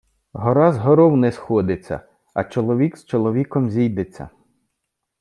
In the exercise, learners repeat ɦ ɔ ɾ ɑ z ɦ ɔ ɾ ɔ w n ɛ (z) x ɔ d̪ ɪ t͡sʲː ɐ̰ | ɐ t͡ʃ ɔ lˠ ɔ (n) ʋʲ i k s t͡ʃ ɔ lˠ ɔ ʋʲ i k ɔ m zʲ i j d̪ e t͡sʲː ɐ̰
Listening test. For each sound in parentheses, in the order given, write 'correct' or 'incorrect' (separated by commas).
incorrect, incorrect